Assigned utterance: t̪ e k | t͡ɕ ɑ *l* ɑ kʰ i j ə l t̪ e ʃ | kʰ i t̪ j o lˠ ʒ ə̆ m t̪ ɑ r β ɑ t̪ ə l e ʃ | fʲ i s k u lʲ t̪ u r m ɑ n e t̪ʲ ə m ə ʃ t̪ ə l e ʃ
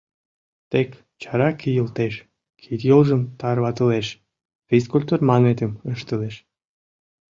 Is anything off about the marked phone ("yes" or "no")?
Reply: yes